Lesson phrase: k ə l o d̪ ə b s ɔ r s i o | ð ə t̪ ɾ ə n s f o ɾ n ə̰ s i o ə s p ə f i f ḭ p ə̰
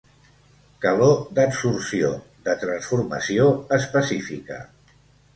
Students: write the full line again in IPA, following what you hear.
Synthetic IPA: k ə l o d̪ ə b s u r s i o | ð ə t̪ ɾ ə n s f u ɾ m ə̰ s i o ə s p ə s i f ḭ k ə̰